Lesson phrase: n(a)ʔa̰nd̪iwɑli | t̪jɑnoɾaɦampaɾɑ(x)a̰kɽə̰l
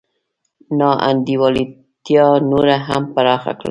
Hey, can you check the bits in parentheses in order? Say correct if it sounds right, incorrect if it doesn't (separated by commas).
incorrect, correct